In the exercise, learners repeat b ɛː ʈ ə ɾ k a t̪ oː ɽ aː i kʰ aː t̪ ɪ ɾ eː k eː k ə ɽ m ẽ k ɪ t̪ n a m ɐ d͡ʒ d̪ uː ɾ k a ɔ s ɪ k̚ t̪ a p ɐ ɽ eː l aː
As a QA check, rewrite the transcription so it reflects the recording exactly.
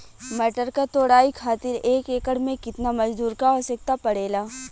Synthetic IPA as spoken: m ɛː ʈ ə ɾ k a t̪ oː ɽ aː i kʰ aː t̪ ɪ ɾ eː k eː k ə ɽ m ẽ k ɪ t̪ n a m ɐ d͡ʒ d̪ uː ɾ k a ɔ s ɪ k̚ t̪ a p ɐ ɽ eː l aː